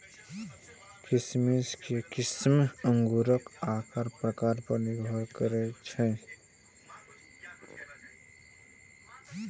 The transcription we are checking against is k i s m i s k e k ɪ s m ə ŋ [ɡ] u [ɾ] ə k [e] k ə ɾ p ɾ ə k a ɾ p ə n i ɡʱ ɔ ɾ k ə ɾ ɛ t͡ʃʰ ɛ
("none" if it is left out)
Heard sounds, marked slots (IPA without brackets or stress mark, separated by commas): ɡ, ɾ, a